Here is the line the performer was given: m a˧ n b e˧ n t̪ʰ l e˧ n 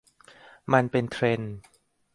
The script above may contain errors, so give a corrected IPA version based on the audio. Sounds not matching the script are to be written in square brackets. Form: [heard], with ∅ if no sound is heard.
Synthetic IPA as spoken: m a˧ n [p] e˧ n t̪ʰ [ɾ] e˧ n